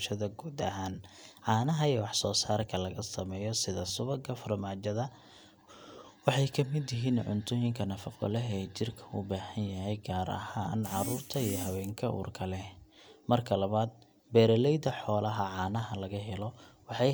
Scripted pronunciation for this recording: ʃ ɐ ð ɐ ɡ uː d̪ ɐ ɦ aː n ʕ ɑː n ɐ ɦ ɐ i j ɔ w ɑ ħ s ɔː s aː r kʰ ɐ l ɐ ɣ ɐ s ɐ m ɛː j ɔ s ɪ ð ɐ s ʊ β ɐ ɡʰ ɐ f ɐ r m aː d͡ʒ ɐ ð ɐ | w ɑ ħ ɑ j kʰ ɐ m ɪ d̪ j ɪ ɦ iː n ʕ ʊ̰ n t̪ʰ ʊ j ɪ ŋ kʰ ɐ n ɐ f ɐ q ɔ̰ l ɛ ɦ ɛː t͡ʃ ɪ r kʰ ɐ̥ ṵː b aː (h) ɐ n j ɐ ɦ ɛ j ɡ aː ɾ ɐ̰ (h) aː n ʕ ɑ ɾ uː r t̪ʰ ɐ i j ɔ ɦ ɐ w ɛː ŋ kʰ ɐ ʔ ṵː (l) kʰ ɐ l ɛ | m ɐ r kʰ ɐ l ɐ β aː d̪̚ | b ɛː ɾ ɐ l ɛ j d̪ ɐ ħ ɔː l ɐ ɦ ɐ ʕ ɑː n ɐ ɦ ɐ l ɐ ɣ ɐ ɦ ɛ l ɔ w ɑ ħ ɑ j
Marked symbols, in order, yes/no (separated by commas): yes, yes, no